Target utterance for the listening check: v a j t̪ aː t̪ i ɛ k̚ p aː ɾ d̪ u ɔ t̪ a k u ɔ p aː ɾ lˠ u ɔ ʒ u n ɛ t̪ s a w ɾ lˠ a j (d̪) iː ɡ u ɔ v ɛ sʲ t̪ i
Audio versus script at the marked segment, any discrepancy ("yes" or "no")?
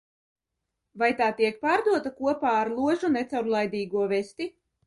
no